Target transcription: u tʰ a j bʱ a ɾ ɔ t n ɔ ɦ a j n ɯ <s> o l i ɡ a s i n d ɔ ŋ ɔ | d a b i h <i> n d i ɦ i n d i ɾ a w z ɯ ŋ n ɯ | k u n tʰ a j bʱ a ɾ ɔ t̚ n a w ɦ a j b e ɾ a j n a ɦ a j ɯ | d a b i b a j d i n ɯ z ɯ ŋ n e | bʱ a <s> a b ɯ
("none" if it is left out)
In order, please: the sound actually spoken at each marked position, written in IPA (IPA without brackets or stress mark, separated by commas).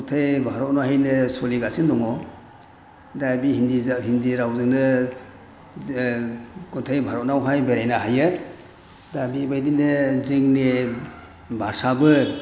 s, i, s